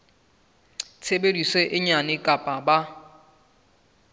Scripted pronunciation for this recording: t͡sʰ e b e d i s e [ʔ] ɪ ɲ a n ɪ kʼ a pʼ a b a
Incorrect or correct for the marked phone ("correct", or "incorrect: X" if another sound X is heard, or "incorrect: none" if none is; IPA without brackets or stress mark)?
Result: correct